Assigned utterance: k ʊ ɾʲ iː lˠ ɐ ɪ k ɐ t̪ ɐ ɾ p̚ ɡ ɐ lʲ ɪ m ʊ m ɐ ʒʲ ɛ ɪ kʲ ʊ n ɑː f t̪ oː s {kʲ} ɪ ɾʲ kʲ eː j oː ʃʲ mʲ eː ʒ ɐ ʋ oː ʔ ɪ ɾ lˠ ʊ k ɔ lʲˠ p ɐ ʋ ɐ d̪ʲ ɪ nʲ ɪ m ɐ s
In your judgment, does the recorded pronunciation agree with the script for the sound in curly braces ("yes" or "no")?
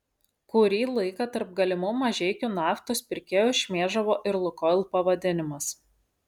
no